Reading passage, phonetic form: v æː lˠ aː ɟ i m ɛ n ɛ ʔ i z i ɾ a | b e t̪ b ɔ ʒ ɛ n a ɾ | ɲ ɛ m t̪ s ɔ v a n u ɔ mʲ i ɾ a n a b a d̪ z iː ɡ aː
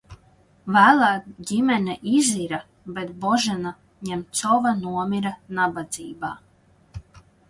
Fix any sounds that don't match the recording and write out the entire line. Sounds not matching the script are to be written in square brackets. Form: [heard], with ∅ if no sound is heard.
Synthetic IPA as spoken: v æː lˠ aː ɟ i m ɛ n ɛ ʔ i z i ɾ a | b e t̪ b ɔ ʒ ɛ n a [∅] | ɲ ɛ m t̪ s ɔ v a n u ɔ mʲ i ɾ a n a b a d̪ z iː [b] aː